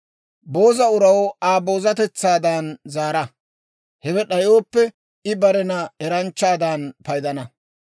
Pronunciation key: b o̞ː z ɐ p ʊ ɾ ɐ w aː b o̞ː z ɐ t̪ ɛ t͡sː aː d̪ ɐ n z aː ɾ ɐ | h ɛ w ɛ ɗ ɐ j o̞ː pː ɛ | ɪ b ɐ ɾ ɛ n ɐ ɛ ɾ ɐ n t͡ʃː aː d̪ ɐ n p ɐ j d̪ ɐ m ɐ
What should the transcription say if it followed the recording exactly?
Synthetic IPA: b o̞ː z ɐ ʊ ɾ ɐ w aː b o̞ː z ɐ t̪ ɛ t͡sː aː d̪ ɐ n z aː ɾ ɐ | h ɛ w ɛ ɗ ɐ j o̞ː pː ɛ | ɪ b ɐ ɾ ɛ n ɐ ɛ ɾ ɐ n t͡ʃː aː d̪ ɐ n p ɐ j d̪ ɐ n ɐ